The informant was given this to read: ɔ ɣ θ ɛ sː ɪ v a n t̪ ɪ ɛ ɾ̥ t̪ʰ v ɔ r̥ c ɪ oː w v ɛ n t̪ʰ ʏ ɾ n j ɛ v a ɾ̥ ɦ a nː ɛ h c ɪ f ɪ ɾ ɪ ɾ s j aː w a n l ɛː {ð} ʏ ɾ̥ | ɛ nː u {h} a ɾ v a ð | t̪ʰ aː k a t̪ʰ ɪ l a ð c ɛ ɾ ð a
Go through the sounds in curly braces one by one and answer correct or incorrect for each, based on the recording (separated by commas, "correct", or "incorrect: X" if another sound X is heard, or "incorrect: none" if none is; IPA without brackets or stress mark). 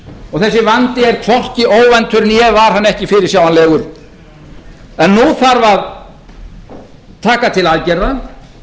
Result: incorrect: ɣ, incorrect: θ